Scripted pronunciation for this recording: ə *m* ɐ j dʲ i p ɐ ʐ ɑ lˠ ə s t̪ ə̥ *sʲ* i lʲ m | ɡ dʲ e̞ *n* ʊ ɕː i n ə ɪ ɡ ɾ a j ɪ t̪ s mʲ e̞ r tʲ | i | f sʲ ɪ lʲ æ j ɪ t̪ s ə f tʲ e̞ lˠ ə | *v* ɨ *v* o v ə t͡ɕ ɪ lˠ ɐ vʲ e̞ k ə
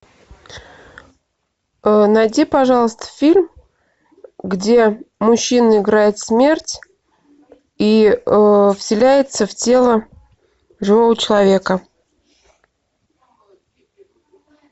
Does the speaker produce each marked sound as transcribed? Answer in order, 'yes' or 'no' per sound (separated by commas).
no, no, no, no, yes